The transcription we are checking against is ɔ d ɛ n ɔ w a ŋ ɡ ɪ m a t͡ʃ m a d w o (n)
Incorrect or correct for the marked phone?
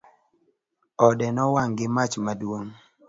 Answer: incorrect: ŋ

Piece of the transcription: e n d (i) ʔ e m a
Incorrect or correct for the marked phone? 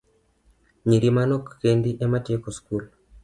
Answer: correct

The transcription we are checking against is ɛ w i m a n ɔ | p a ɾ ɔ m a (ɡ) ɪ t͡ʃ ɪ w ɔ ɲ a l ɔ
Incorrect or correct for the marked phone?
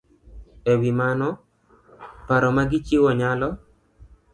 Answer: correct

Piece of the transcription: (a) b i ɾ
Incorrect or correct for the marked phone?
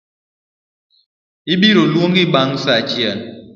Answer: incorrect: i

